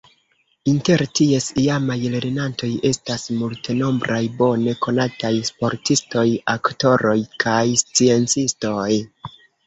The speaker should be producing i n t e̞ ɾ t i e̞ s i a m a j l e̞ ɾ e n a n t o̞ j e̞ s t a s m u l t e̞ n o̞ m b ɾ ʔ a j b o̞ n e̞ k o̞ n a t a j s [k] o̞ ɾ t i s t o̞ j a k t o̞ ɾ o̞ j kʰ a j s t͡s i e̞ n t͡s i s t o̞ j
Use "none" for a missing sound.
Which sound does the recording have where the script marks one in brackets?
p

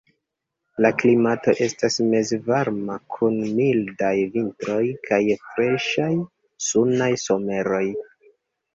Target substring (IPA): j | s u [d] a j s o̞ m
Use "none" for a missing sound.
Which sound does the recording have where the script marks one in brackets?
n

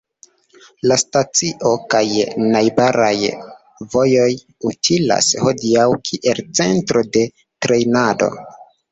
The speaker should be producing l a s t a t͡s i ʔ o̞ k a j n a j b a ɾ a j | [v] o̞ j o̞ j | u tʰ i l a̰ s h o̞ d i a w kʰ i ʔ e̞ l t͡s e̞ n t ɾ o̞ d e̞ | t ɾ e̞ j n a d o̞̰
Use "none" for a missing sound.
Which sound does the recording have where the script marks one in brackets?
v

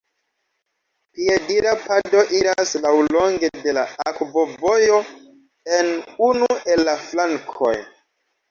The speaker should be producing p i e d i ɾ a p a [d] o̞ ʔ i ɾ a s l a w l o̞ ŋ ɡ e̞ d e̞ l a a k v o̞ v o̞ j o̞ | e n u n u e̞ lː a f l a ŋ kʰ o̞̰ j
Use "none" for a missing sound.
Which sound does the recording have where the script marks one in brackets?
d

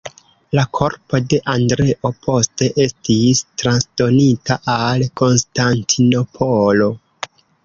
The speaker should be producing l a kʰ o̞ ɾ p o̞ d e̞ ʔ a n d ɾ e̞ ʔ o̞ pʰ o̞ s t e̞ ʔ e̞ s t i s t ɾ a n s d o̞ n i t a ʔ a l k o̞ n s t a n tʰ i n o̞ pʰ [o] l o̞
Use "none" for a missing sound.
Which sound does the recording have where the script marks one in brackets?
o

